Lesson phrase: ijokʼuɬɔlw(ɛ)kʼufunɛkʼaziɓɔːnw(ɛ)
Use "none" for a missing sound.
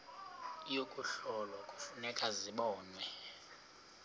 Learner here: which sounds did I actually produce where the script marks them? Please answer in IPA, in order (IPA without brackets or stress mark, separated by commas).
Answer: a, ɛ